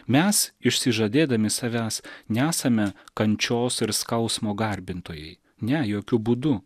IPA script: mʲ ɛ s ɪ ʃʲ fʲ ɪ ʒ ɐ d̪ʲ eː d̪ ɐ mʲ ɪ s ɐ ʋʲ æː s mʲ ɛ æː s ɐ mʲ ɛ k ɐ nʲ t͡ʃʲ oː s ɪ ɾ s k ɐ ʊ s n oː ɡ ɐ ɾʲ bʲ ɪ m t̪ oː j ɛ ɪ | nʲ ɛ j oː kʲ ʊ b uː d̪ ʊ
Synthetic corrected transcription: mʲ ɛ s ɪ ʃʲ sʲ ɪ ʒ ɐ d̪ʲ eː d̪ ɐ mʲ ɪ s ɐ ʋʲ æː s nʲ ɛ æː s ɐ mʲ ɛ k ɐ nʲ t͡ʃʲ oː s ɪ ɾ s k ɐ ʊ s m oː ɡ ɐ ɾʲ bʲ ɪ n t̪ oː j ɛ ɪ | nʲ ɛ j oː kʲ ʊ b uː d̪ ʊ